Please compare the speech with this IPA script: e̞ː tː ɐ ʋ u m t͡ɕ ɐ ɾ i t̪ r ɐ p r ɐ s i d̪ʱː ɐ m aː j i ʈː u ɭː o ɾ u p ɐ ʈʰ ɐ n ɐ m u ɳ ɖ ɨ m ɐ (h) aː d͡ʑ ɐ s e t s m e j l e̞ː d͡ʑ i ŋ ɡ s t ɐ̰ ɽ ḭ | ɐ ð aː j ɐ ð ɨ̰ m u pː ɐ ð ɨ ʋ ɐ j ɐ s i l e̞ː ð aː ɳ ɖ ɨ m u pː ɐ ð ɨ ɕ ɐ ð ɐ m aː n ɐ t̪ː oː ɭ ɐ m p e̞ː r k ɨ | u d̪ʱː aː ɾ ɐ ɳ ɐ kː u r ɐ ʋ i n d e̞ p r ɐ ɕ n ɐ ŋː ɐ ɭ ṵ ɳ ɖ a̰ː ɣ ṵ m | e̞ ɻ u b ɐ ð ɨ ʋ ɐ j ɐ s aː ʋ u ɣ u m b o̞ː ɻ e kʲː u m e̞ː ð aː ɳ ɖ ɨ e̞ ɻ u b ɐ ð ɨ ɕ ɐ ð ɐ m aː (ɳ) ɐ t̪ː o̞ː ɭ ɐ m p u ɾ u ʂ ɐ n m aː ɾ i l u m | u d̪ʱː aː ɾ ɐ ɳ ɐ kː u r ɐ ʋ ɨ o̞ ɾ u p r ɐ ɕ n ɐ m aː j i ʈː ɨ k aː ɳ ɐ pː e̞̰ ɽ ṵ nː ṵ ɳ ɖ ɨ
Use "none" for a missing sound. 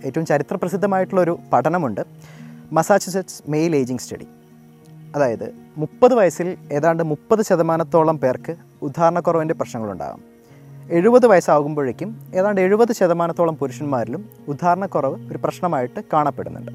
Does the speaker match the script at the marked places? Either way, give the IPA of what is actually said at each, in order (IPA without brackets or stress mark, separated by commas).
s, n